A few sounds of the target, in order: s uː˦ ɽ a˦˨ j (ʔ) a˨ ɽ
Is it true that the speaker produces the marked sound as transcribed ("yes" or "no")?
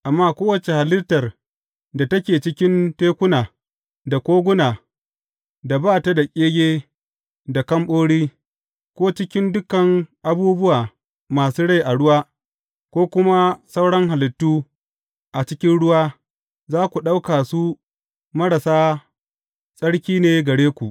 yes